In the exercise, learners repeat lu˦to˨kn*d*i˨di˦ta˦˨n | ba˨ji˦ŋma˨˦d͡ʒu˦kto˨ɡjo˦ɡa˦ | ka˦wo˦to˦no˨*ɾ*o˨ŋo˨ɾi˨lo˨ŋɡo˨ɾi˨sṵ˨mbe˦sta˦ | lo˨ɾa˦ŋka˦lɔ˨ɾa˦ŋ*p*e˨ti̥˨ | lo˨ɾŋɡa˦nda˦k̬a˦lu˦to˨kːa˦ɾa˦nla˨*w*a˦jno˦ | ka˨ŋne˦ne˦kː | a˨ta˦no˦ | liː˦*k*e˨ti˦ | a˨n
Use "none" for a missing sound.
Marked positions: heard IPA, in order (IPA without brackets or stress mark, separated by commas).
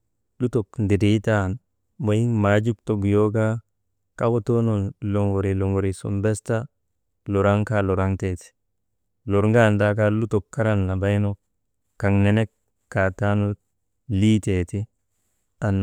d, l, t, b, t